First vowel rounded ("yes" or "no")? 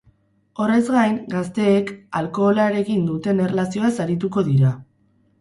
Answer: yes